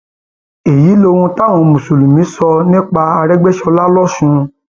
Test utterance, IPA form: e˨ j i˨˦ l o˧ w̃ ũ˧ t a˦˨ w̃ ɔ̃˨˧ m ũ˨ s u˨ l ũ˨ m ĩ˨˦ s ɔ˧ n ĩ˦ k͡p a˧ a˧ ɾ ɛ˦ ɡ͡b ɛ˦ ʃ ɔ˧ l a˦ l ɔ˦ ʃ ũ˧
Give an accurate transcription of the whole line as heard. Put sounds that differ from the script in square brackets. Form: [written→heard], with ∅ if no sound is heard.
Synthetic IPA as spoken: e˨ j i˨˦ l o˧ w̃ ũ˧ t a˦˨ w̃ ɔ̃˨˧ m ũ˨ s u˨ l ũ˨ m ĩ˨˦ s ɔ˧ n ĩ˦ k͡p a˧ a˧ ɾ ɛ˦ ɡ͡b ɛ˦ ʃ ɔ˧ l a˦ l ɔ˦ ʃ ũ˧

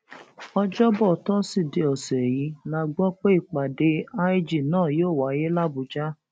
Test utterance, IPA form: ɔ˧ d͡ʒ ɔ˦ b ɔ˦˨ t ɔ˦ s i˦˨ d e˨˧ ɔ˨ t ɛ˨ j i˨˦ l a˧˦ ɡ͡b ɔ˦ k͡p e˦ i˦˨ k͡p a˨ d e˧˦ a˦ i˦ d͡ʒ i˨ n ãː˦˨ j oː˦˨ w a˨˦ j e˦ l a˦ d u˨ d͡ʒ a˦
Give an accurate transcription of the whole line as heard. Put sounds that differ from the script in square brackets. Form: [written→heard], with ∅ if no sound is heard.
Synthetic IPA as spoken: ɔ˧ d͡ʒ ɔ˦ b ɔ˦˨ t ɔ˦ s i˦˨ d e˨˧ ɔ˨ [t→s] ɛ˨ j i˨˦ l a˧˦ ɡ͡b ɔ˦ k͡p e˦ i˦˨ k͡p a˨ d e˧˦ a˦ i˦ d͡ʒ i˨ n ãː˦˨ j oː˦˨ w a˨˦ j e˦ l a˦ [d→b] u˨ d͡ʒ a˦

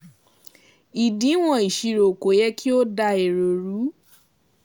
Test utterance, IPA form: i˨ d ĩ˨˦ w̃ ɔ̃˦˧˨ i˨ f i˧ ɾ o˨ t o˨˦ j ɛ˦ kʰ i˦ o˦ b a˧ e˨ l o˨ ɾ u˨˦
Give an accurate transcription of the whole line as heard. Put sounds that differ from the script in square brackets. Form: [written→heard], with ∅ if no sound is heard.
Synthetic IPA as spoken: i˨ d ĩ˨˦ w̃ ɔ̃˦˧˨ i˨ [f→ʃ] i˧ ɾ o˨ [t→k] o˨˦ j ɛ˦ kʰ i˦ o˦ [b→d] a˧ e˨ [l→ɾ] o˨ ɾ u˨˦

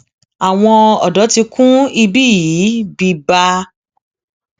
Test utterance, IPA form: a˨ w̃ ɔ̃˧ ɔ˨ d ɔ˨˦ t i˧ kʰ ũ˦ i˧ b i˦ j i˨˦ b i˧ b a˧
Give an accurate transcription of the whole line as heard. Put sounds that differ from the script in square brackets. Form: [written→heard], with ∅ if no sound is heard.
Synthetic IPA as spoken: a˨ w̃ ɔ̃˧ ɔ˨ d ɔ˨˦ t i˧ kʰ ũ˦ i˧ b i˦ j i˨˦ b i˧ b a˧

